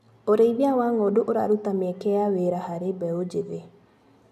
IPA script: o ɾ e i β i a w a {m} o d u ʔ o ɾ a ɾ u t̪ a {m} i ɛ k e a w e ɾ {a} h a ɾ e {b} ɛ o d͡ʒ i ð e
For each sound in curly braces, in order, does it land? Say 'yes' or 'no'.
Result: no, yes, yes, yes

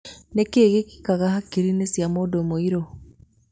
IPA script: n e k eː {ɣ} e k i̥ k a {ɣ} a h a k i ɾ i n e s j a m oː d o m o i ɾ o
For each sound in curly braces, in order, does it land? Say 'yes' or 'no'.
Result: yes, yes

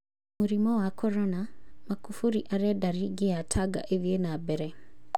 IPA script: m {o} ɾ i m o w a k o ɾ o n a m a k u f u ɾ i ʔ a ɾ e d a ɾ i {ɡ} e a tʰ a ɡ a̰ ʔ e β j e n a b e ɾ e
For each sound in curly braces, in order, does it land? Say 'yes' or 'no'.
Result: no, yes

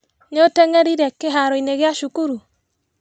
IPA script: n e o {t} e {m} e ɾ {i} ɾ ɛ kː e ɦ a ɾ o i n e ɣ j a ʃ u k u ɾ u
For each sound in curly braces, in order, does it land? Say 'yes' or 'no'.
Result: yes, no, yes

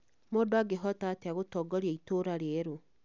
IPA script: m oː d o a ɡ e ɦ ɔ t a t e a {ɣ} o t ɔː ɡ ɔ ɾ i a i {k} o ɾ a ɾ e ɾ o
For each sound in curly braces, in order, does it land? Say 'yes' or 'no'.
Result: yes, no

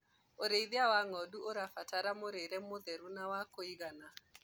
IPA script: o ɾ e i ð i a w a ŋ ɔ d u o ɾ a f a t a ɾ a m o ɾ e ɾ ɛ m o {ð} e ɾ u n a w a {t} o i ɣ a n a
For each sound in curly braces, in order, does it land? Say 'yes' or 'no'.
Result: yes, no

